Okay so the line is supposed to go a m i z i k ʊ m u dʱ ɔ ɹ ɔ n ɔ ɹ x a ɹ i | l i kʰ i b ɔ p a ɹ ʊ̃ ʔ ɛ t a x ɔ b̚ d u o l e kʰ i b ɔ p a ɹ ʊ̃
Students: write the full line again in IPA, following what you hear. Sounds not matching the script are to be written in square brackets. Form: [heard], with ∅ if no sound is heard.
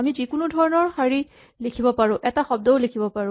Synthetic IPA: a m i z i k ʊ [n] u dʱ ɔ ɹ ɔ n ɔ ɹ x a ɹ i | l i kʰ i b ɔ p a ɹ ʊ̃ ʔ ɛ t a x ɔ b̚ d [ɔ] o l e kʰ i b ɔ p a ɹ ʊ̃